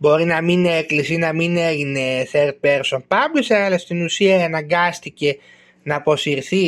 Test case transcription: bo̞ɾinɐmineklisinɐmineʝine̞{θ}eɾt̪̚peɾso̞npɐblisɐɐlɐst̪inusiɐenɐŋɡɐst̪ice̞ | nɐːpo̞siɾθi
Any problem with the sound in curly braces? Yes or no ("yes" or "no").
no